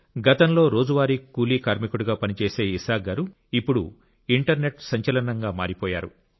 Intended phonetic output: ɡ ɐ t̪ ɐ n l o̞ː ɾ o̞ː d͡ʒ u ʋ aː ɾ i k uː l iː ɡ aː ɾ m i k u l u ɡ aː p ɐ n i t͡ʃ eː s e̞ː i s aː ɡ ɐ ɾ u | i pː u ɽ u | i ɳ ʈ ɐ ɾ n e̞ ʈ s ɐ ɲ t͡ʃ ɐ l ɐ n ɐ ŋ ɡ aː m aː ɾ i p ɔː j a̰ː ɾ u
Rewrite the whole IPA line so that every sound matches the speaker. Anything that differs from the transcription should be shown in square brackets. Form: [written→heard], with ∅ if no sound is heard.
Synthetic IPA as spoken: ɡ ɐ t̪ ɐ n l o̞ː ɾ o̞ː d͡ʒ u ʋ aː ɾ i k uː l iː [ɡ→k] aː ɾ m i k u [l→ɽ] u ɡ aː p ɐ n i t͡ʃ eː s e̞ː i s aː ɡ ɐ ɾ u | i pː u ɽ u | i ɳ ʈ ɐ ɾ n e̞ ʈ s ɐ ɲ t͡ʃ ɐ l ɐ n ɐ ŋ ɡ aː m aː ɾ i p ɔː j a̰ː ɾ u